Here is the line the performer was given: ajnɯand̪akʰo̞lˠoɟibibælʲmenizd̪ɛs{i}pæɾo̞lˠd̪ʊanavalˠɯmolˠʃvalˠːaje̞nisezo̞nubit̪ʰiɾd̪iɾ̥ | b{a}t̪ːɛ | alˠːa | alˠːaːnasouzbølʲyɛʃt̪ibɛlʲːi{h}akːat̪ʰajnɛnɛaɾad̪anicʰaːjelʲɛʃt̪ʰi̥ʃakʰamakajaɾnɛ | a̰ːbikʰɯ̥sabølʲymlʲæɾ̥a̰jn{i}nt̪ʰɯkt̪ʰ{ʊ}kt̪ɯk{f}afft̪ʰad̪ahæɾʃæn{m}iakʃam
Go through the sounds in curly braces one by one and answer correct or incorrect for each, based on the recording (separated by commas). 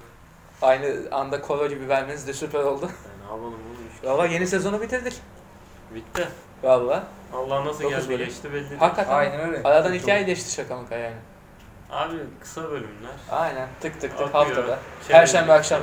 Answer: incorrect, incorrect, correct, incorrect, incorrect, incorrect, incorrect